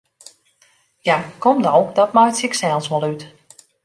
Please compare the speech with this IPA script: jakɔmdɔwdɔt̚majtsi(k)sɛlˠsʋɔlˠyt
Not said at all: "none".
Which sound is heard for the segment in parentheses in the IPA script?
k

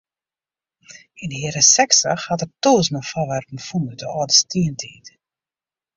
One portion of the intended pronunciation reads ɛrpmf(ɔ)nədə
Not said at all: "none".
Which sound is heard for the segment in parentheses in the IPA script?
u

